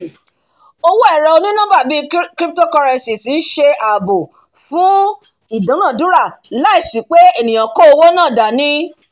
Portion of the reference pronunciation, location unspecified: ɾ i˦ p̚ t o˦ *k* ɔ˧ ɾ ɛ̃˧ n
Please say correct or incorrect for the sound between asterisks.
correct